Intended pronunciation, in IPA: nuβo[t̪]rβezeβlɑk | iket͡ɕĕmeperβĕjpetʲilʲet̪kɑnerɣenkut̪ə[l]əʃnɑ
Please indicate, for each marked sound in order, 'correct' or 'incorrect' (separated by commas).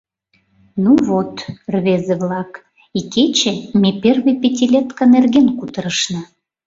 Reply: correct, incorrect